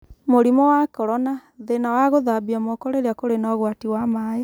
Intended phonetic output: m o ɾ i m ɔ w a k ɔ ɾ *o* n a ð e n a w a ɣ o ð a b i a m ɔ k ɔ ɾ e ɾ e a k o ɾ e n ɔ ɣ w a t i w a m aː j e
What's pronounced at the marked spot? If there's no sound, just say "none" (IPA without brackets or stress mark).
ɔ